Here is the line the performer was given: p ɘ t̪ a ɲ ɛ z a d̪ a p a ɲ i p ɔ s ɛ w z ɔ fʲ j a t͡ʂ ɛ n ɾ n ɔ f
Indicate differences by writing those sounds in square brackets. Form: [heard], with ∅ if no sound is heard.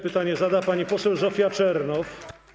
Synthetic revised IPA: p ɘ t̪ a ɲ ɛ z a d̪ a p a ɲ i p ɔ s ɛ w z ɔ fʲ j a t͡ʂ ɛ [∅] ɾ n ɔ f